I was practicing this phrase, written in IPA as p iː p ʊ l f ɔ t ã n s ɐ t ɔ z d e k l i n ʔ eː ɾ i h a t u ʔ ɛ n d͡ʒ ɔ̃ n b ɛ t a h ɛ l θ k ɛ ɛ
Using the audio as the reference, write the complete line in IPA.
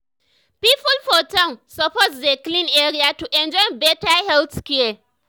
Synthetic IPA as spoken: p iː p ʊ l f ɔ t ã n s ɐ p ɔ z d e k l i n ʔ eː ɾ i a t u ʔ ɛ n d͡ʒ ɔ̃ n b ɛ t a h ɛ l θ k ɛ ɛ